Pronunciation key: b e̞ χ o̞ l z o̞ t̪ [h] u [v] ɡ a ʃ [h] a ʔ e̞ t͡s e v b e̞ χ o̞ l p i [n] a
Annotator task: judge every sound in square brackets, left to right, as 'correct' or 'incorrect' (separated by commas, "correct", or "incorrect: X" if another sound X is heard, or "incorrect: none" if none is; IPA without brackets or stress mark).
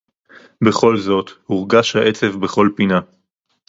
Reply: correct, incorrect: ʁ, correct, correct